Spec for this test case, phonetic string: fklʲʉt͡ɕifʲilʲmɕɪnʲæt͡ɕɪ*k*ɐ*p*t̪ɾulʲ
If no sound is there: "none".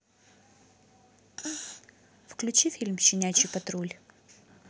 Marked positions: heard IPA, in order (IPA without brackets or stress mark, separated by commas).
p, none